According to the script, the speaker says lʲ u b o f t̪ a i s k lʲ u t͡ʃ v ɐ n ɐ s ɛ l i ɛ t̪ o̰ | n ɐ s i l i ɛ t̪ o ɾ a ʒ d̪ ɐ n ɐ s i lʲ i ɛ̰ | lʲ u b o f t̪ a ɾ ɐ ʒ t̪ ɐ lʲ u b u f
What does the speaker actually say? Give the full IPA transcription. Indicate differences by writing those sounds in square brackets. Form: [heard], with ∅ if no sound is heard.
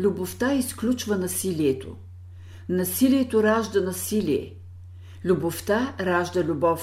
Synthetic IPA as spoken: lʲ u b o f t̪ a i s k lʲ u t͡ʃ v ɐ n ɐ s [i] l i ɛ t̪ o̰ | n ɐ s i l i ɛ t̪ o ɾ a ʒ d̪ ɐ n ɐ s i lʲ i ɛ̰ | lʲ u b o f t̪ a ɾ [a] ʒ [d̪] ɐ lʲ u b [ɔ] f